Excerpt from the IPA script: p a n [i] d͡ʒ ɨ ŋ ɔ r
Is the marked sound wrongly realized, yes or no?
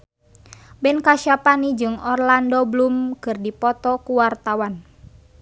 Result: no